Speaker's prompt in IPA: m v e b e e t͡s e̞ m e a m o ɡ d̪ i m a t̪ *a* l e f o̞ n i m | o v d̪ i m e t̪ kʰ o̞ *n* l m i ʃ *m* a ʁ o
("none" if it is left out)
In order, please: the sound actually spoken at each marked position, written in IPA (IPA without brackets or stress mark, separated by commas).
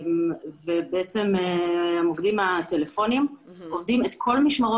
e, none, m